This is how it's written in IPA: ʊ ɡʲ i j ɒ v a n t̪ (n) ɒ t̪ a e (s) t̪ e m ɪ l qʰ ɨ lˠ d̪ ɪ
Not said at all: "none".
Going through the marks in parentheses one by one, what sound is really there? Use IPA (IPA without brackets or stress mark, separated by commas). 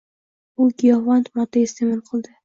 m, s